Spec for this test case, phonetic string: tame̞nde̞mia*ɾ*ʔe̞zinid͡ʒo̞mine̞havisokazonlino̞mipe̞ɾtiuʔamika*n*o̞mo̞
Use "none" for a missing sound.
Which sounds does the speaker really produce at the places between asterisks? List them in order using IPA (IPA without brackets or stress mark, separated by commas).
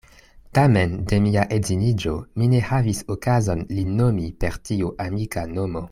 none, n